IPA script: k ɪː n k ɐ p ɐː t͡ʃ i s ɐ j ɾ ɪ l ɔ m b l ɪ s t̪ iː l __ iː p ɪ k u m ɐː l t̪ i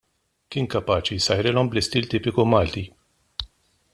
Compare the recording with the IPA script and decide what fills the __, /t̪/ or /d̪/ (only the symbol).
t̪